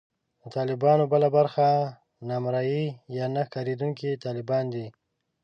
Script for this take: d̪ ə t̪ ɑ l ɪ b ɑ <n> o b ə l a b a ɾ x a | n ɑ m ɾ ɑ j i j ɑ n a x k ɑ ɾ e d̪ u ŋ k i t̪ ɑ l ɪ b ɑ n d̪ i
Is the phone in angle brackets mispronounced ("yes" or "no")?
no